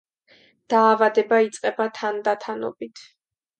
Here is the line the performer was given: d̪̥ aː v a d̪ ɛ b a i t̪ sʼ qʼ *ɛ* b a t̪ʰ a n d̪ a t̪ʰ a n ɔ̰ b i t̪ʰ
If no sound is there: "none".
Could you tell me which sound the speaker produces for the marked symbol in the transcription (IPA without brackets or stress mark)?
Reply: ɛ